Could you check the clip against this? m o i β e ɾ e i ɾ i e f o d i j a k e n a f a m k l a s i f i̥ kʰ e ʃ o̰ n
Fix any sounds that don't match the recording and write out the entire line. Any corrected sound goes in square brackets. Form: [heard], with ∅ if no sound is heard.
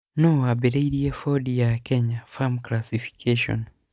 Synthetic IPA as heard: [n] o [a] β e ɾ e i ɾ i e f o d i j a k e [ɲ] a f a m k l a s i f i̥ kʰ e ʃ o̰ n

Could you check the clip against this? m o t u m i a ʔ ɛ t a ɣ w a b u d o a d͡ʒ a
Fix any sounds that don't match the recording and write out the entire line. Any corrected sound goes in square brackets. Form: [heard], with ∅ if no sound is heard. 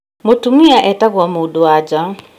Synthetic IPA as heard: m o t u m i a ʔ ɛ t a ɣ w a [m] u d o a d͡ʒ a

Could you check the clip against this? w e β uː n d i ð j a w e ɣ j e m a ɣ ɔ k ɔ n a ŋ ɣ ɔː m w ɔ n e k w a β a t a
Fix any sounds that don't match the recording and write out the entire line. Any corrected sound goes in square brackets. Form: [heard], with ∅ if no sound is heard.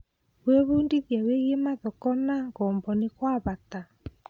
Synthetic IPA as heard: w e β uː n d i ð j a w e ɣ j e m a [ð] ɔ k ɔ n a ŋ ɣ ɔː m [b] ɔ n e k w a β a t a

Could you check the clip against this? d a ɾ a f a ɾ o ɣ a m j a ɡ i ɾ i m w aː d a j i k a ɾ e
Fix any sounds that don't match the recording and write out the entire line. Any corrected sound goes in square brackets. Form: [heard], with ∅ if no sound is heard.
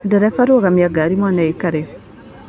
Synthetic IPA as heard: d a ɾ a f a ɾ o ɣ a m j a ɡ [a] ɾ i m w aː [n] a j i k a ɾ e

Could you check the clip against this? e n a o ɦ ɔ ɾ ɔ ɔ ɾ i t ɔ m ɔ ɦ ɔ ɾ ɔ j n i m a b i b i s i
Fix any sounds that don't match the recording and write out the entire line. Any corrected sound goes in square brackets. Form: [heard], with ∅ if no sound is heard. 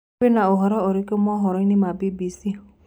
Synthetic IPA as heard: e n a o ɦ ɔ ɾ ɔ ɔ ɾ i [k] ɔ m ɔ ɦ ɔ ɾ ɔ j n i m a b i b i s i

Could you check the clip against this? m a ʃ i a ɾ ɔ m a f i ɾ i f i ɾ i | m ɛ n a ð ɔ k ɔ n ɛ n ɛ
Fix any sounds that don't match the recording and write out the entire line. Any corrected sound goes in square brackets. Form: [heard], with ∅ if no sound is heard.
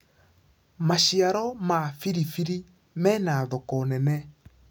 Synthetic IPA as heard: m a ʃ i a ɾ ɔ m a f i ɾ i f i ɾ i | m ɛ n a ð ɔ k ɔ n ɛ n ɛ

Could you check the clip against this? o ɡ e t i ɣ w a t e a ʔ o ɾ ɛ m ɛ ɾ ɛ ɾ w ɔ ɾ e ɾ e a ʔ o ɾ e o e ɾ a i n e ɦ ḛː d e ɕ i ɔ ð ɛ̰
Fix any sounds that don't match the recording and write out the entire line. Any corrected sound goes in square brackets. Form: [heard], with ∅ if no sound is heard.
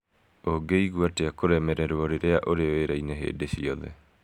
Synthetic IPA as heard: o ɡ e [∅] i ɣ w a t e a [k] o ɾ ɛ m ɛ ɾ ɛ ɾ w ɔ ɾ e ɾ e a ʔ o ɾ e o e ɾ a i n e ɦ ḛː d e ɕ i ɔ ð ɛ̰

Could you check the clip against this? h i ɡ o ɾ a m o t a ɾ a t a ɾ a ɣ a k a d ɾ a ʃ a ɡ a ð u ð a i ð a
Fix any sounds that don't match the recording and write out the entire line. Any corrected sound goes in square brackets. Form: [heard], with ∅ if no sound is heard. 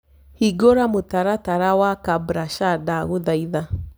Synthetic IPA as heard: h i ɡ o ɾ a m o t a ɾ a t a ɾ a [w] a k a [b] ɾ a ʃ a [d] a [ɣ] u ð a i ð a

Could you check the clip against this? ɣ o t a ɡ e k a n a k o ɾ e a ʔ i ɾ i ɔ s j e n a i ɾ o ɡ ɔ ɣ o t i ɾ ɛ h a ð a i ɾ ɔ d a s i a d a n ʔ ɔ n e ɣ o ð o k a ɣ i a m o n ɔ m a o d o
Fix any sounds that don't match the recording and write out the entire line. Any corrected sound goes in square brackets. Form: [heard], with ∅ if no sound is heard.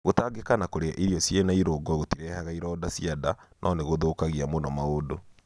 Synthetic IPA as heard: ɣ o t a ɡ e k a n a k o ɾ e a ʔ i ɾ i ɔ s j e n a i ɾ o ɡ ɔ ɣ o t i ɾ ɛ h a [ɣ] a i ɾ ɔ d a s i a d a n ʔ ɔ n e ɣ o ð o k a ɣ i a m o n ɔ m a o d o

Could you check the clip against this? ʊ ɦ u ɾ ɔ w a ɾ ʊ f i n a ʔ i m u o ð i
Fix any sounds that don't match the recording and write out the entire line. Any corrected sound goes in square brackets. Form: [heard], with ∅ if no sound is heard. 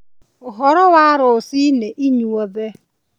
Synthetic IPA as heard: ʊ ɦ [ɔ] ɾ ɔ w a ɾ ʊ [s] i n [e] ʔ i [ɲ] u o ð [e]

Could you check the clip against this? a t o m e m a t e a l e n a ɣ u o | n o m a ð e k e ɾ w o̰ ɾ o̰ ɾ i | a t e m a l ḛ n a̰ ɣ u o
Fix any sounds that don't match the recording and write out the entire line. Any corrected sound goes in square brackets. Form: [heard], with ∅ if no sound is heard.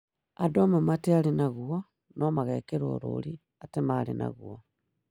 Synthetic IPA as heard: a [d] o m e m a t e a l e n a ɣ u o | n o m a [ɣ] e k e ɾ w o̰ ɾ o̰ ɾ i | a t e m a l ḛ n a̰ ɣ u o

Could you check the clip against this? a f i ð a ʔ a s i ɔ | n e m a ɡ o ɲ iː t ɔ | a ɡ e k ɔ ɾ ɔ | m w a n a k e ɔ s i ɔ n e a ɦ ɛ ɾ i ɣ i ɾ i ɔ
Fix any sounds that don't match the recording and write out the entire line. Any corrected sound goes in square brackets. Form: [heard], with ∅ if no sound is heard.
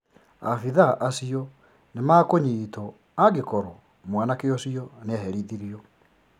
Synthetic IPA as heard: a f i ð a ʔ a s i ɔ | n e m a [k] o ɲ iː t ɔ | a ɡ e k ɔ ɾ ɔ | m w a n a k e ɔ s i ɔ n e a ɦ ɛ ɾ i [ð] i ɾ i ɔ

